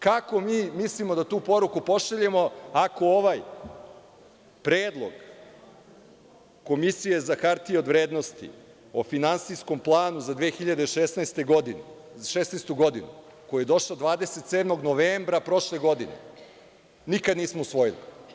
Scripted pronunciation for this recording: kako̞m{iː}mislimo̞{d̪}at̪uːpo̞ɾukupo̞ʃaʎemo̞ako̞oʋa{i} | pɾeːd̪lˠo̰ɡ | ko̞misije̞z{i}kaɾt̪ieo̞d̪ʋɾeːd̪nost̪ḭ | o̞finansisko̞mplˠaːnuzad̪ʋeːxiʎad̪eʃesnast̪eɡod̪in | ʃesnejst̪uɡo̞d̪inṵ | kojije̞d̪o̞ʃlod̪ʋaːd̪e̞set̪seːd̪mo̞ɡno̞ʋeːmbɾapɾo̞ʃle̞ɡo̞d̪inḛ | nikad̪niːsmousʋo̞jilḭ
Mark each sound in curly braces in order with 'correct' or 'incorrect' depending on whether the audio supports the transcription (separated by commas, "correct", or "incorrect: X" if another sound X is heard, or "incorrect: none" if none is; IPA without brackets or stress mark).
correct, correct, incorrect: j, incorrect: a